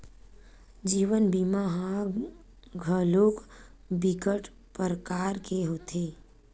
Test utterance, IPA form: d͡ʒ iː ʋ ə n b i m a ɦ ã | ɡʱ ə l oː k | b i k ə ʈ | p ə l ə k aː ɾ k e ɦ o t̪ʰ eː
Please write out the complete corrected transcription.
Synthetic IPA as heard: d͡ʒ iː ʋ ə n b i m a ɦ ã | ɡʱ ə l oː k | b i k ə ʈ | p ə ɾ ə k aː ɾ k e ɦ o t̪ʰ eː